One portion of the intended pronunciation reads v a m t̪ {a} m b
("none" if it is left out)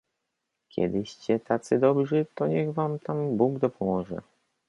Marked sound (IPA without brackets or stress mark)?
a